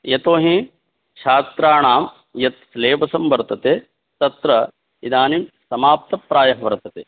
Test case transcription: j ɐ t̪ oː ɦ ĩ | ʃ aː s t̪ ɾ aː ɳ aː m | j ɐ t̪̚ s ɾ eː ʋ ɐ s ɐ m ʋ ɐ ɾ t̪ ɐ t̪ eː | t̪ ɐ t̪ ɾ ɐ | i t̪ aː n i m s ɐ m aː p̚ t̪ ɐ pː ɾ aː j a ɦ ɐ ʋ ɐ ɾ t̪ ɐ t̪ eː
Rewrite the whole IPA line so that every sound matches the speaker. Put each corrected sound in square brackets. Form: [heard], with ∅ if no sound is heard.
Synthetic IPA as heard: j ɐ t̪ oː ɦ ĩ | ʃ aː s t̪ ɾ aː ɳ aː m | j ɐ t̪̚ s [l] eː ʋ ɐ s ɐ m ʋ ɐ ɾ t̪ ɐ t̪ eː | t̪ ɐ t̪ ɾ ɐ | i [d̪] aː n i m s ɐ m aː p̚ t̪ ɐ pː ɾ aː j [ɐ] ɦ ɐ ʋ ɐ ɾ t̪ ɐ t̪ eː